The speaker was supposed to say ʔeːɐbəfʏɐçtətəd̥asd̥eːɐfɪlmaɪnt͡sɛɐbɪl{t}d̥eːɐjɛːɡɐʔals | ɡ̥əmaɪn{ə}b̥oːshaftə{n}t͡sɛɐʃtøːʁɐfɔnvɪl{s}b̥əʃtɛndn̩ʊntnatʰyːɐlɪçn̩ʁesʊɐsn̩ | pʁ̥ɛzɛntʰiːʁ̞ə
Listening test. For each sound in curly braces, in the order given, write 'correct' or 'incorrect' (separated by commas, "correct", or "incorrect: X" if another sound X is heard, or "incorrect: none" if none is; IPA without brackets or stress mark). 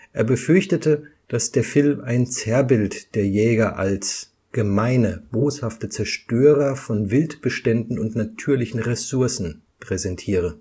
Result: correct, correct, incorrect: none, incorrect: t